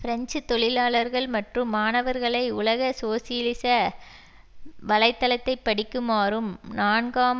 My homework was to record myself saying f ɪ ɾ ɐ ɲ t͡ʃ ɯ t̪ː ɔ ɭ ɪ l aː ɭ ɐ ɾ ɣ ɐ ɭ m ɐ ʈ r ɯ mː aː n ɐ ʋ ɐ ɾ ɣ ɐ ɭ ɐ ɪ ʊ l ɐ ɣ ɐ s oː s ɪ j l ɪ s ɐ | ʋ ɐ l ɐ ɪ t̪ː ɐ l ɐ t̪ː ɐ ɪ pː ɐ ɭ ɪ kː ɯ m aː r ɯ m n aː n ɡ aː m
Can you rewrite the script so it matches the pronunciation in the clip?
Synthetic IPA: f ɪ ɾ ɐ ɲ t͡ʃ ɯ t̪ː ɔ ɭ ɪ l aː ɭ ɐ ɾ ɣ ɐ ɭ m ɐ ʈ r ɯ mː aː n ɐ ʋ ɐ ɾ ɣ ɐ ɭ ɐ ɪ ʊ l ɐ ɣ ɐ s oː s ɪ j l ɪ s ɐ | ʋ ɐ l ɐ ɪ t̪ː ɐ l ɐ t̪ː ɐ ɪ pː ɐ ɽ ɪ kː ɯ m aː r ɯ m n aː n ɡ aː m